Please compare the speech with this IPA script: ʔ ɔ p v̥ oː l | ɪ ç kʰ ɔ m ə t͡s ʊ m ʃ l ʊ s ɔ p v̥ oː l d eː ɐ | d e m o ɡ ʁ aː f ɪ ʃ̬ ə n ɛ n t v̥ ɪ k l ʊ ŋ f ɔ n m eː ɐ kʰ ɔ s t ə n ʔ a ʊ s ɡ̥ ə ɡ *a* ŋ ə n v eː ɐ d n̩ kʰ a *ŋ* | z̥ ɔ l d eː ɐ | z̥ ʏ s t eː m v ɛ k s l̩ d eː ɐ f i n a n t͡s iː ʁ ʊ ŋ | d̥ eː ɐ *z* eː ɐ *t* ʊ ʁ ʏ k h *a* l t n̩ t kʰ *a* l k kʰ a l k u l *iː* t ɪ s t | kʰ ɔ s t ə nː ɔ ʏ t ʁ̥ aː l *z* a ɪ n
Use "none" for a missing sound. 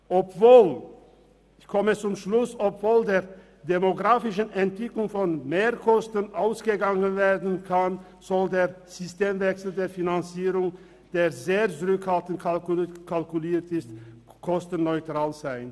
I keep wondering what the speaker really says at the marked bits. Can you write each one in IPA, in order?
a, n, z, t͡s, a, a, iː, z

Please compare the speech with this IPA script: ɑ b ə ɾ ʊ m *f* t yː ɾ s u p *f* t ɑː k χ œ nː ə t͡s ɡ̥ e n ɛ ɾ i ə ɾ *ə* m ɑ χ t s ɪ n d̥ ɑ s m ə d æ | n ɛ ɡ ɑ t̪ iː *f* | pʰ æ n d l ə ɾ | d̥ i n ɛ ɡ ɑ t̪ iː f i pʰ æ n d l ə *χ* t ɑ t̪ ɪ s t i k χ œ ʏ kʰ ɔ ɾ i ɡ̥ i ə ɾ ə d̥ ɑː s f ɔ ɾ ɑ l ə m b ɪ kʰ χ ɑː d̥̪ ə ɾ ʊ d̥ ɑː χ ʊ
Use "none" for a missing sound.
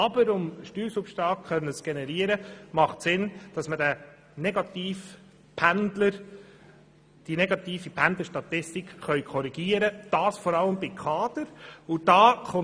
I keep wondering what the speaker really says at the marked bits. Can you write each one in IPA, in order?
ʃ, ʃ, ə, f, ʃ

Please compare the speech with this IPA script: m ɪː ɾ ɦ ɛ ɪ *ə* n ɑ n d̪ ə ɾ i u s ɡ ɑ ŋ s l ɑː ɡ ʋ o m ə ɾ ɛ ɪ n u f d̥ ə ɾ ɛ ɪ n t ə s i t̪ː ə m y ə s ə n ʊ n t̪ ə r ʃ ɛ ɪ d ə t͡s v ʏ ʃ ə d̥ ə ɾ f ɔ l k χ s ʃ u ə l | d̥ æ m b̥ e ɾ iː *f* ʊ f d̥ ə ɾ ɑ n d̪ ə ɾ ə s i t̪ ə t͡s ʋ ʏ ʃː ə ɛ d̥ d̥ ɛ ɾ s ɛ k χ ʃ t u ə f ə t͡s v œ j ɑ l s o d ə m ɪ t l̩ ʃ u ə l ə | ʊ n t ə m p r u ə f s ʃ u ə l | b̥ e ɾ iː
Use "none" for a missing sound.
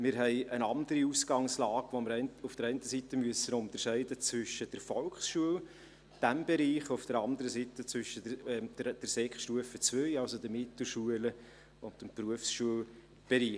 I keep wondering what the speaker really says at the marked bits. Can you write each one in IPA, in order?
ə, χ

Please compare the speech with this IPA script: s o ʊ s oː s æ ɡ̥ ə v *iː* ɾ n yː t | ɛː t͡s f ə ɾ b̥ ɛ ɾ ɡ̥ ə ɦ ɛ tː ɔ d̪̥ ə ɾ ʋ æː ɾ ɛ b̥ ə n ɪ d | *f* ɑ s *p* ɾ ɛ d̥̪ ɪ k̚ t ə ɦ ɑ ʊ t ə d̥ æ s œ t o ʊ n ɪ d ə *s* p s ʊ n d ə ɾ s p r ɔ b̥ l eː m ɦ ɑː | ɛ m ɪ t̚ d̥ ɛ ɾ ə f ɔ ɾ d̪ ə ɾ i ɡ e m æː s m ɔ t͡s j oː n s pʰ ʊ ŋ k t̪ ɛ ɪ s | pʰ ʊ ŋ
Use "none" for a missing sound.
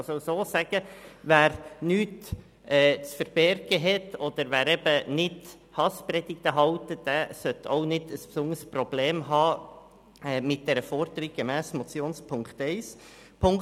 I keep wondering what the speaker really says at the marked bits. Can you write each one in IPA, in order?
æː, h, p, s

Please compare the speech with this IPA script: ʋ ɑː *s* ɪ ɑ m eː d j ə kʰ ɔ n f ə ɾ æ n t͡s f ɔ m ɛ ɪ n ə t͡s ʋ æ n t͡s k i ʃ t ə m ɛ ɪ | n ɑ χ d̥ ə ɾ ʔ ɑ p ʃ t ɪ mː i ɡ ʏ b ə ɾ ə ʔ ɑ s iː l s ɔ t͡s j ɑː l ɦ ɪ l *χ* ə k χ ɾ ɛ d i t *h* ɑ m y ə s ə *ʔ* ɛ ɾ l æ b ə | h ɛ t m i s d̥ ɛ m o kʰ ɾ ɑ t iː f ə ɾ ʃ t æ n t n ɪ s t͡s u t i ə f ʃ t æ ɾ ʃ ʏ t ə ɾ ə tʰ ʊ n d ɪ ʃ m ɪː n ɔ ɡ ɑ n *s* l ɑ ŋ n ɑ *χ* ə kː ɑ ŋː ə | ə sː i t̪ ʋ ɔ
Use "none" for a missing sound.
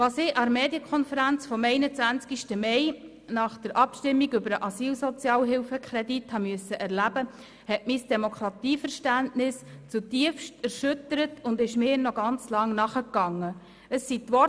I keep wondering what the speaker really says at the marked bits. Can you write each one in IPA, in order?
s, f, h, ʔ, t͡s, χ

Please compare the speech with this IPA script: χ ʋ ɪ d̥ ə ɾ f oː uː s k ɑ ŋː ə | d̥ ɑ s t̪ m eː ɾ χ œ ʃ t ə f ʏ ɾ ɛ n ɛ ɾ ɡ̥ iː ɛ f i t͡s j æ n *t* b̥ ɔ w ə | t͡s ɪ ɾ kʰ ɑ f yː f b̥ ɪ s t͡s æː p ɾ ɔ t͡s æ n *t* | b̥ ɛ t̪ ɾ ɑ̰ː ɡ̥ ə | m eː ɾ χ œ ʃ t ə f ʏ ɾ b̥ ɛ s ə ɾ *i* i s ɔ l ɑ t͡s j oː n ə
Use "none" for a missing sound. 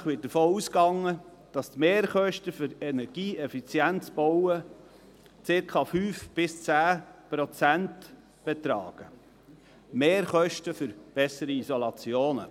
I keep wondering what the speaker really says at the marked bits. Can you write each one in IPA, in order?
t͡s, t, i

